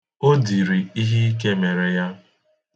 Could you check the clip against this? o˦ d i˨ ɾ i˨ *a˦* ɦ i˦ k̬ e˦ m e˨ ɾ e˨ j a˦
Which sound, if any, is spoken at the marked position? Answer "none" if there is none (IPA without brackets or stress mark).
i˦